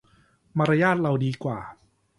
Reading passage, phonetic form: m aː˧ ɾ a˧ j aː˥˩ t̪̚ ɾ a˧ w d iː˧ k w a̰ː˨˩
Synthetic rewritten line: m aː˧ ɾ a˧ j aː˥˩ t̪̚ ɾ a˧ w d iː˧ k w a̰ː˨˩